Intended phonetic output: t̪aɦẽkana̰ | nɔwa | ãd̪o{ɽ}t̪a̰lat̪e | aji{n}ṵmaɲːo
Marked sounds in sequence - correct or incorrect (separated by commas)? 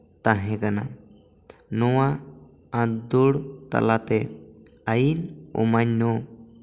correct, correct